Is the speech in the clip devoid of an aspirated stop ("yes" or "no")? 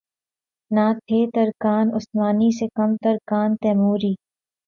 no